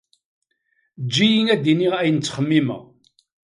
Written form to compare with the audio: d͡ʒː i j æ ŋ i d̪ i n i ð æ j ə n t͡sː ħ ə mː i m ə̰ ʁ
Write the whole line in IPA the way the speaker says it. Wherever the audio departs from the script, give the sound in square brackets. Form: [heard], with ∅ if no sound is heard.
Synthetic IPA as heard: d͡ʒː i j [i] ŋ [æ] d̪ i n i [ʁ] æ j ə n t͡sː [χ] ə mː i m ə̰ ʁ